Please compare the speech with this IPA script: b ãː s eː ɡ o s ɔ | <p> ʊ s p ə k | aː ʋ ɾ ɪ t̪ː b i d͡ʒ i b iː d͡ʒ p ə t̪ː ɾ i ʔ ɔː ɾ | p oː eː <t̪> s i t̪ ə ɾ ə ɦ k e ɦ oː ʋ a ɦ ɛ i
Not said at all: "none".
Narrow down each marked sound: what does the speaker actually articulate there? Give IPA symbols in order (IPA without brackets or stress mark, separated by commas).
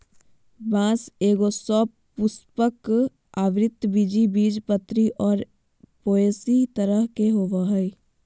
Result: p, none